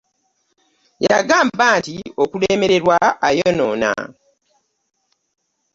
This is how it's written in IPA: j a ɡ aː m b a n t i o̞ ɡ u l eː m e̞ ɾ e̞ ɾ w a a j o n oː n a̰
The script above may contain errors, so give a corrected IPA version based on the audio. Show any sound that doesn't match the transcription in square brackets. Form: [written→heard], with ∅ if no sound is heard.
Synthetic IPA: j a ɡ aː m b a n t i o̞ [ɡ→k] u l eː m e̞ ɾ e̞ ɾ w a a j o n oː n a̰